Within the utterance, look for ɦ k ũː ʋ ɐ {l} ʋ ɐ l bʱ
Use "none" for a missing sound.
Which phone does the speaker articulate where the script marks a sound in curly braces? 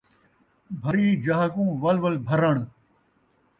l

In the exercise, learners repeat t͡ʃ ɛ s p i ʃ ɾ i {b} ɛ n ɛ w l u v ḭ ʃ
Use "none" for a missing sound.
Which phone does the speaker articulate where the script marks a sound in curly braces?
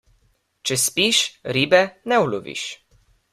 b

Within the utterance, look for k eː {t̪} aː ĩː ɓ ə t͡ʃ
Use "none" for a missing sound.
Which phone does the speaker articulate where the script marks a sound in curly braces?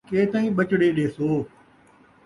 t̪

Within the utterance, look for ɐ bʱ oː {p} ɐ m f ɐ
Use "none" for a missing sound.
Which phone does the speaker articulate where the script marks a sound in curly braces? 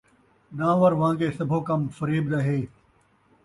k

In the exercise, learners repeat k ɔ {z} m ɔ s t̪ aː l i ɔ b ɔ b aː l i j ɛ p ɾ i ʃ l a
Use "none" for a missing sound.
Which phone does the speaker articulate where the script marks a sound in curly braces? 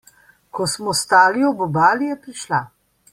s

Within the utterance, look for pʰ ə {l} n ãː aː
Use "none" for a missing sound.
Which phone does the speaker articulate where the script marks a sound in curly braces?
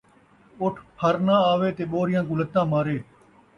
ɾ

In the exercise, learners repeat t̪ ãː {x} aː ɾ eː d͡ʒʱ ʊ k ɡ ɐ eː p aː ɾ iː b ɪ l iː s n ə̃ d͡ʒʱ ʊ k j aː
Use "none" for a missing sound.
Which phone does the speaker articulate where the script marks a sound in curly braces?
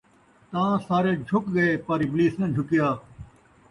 s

